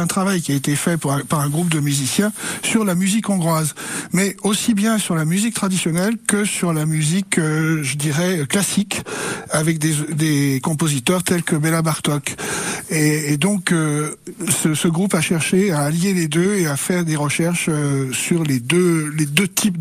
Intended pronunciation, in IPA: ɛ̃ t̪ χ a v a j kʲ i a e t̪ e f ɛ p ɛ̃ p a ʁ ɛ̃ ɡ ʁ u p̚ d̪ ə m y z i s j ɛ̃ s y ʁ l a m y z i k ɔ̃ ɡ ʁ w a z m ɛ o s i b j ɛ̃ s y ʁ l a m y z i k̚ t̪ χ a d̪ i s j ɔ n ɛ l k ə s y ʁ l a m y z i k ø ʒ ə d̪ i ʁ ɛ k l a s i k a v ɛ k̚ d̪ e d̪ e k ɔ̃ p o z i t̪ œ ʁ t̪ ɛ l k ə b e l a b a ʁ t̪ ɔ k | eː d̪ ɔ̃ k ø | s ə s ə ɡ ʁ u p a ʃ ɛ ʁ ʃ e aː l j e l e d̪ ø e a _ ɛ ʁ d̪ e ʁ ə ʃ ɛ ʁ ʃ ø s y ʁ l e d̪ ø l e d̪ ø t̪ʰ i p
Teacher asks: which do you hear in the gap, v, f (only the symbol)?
f